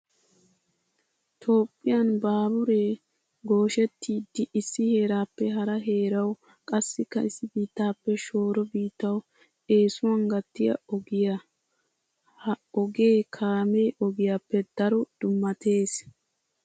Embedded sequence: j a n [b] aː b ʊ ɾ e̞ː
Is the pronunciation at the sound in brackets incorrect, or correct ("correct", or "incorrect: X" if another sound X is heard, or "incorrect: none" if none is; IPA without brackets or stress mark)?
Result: correct